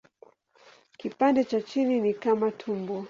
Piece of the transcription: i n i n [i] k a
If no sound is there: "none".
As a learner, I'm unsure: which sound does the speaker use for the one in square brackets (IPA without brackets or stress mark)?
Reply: i